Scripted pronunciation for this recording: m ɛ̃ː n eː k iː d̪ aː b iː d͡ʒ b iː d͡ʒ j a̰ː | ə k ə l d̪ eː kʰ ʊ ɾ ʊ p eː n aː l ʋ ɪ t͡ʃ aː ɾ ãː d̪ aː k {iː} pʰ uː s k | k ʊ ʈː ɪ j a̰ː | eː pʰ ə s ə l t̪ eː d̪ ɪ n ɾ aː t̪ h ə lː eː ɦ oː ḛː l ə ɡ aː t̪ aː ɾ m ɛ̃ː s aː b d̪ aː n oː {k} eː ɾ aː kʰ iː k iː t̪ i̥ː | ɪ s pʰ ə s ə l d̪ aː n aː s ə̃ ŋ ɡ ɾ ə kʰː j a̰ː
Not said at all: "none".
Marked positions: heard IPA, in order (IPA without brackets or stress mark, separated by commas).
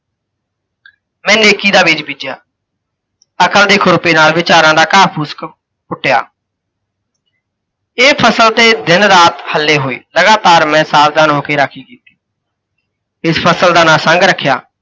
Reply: aː, k